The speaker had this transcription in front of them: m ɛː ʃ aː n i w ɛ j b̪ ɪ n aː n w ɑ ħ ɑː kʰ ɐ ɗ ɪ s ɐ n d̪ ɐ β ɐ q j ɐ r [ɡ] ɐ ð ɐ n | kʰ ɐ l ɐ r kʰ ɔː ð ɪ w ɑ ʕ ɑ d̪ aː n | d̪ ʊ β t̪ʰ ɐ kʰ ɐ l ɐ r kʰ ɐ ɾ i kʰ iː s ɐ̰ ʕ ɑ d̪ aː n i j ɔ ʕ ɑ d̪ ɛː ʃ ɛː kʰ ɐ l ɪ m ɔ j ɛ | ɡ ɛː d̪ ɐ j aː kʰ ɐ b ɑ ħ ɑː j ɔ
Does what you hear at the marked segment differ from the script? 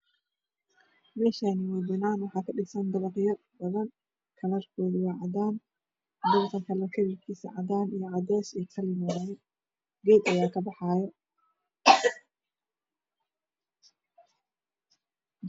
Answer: yes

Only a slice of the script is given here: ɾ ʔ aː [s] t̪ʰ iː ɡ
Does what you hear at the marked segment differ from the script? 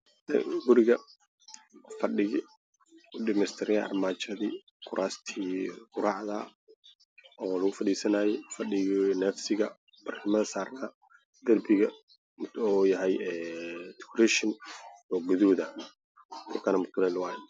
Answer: no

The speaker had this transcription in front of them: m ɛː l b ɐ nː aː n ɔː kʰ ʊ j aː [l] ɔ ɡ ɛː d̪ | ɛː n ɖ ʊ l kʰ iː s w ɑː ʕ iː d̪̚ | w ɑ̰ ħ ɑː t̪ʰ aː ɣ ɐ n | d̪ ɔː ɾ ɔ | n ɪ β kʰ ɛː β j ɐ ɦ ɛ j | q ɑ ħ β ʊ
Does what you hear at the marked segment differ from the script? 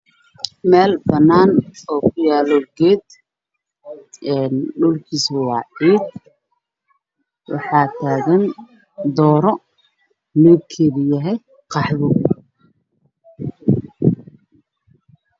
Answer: no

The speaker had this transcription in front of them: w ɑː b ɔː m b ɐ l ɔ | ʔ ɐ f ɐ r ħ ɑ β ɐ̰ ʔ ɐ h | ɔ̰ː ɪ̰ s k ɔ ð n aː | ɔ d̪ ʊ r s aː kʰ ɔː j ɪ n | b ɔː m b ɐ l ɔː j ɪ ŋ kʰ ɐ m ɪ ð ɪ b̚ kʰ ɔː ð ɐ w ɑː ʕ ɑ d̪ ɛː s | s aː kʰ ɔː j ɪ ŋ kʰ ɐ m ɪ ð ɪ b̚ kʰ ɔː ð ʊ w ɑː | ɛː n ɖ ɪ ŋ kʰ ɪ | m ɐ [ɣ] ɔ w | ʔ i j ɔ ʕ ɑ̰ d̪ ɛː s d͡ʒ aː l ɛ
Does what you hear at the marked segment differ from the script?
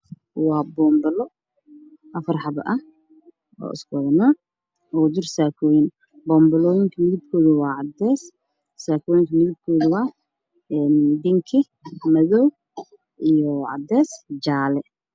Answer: yes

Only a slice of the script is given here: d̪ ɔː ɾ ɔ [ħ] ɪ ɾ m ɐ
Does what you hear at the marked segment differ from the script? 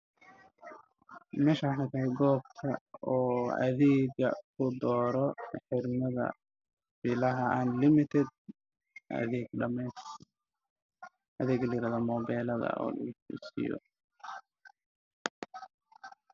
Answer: no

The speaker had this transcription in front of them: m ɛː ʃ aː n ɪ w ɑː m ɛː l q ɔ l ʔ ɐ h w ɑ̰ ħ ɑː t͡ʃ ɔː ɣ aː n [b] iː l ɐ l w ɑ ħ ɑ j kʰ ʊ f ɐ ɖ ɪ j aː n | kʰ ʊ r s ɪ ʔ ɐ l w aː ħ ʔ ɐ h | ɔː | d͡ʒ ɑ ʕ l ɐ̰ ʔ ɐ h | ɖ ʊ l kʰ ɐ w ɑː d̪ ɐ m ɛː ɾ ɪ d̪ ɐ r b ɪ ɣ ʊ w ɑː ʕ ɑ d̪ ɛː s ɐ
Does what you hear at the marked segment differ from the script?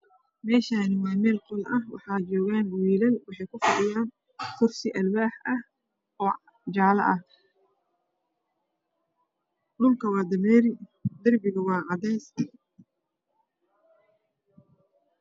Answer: yes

